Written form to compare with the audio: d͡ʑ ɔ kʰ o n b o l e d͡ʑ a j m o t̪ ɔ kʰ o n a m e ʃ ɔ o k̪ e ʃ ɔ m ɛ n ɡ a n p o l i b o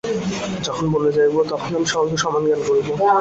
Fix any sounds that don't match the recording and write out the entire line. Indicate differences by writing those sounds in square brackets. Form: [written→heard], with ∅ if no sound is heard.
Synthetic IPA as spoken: d͡ʑ ɔ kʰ o n b o l e d͡ʑ a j [m→b] o t̪ ɔ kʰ o n a m [e→i] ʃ ɔ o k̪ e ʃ ɔ m [ɛ→a] n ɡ a n [p→k] o [l→ɾ] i b o